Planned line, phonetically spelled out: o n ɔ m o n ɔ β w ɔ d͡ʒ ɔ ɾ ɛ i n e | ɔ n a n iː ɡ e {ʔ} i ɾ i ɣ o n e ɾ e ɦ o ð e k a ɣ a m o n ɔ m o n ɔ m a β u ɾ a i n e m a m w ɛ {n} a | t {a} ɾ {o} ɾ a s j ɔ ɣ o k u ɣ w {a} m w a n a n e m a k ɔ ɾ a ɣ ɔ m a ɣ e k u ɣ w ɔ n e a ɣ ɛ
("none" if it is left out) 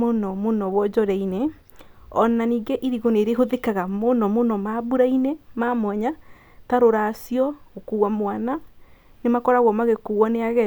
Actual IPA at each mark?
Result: ʔ, ɲ, a, o, a

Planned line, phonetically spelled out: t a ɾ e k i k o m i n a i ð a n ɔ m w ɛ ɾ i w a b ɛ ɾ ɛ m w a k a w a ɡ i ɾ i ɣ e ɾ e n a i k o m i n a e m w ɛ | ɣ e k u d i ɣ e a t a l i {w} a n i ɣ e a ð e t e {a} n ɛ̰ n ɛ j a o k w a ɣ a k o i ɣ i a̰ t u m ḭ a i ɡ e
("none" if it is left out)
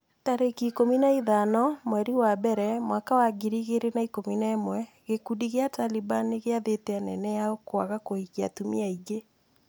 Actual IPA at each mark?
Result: b, a

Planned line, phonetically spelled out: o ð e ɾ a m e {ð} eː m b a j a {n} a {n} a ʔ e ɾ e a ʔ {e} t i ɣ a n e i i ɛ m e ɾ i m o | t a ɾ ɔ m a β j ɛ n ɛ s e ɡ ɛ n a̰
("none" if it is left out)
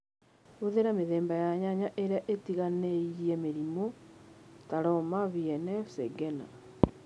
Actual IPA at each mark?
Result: ð, ɲ, ɲ, e

